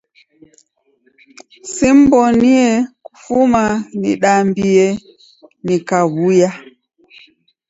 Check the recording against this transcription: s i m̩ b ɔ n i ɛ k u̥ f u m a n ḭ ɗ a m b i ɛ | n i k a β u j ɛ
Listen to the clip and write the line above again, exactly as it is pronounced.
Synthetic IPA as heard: s i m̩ b ɔ n i ɛ k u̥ f u m a n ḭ ɗ a m b i ɛ | n i k a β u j a